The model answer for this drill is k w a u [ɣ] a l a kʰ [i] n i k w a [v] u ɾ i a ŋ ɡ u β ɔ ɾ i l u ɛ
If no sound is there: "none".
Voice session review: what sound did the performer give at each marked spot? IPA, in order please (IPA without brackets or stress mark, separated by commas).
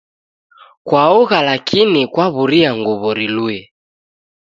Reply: ɣ, i, β